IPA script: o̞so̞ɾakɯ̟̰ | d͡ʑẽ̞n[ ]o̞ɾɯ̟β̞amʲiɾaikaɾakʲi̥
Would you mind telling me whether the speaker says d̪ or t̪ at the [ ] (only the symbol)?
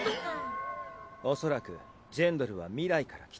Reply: d̪